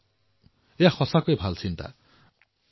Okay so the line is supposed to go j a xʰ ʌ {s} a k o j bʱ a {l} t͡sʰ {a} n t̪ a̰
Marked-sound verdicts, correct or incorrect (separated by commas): correct, correct, incorrect